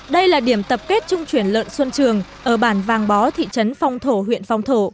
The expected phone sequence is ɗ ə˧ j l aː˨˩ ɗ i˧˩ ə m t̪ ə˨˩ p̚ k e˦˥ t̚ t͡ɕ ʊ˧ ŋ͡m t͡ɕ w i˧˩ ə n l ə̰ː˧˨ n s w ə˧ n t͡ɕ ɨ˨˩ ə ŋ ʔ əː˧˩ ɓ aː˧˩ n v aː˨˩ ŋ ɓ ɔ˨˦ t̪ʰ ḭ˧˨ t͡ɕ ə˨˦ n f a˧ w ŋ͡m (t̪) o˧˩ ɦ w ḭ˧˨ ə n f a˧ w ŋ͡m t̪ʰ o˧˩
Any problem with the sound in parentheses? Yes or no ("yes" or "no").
yes